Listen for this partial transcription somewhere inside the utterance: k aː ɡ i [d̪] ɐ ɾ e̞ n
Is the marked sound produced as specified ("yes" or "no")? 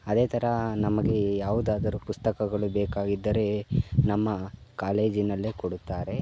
no